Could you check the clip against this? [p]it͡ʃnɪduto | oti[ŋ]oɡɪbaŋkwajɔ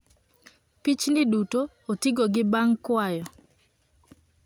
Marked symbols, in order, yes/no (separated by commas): yes, no